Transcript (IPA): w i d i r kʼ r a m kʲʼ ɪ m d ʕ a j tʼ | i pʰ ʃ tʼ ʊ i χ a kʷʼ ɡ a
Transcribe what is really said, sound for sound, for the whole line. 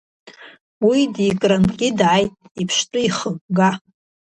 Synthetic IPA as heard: w i d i kʼ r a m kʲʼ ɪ d ʕ a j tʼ | i pʰ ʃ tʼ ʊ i χ ə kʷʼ ɡ a